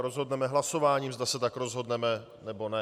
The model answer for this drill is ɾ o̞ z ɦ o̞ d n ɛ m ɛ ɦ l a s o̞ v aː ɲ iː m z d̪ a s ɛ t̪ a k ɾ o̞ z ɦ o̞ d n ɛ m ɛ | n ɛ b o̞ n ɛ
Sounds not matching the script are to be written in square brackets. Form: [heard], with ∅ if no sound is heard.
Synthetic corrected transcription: ɾ o̞ z ɦ o̞ d n ɛ m ɛ ɦ l a s o̞ v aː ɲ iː m z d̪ a s ɛ t̪ a k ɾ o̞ z ɦ o̞ d n ɛ m ɛ | n ɛ b o̞ n ɛ